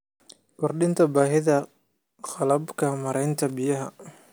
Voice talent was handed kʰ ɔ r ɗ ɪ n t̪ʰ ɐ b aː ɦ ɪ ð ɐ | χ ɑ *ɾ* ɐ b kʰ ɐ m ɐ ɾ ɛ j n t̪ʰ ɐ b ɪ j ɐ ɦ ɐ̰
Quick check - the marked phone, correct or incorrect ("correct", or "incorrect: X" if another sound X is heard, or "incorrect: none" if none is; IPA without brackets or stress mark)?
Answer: incorrect: l